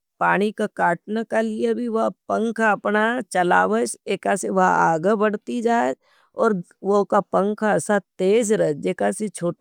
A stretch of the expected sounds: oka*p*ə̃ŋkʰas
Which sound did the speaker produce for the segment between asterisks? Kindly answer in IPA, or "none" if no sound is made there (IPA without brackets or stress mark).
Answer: p